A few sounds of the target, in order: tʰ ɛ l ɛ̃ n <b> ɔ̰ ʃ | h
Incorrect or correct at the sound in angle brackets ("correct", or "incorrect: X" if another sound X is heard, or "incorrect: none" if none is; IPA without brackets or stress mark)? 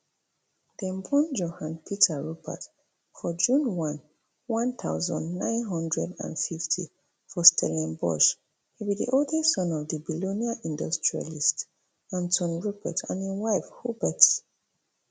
correct